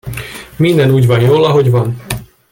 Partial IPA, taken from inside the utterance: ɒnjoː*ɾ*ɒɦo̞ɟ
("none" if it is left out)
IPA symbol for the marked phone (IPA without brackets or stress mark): l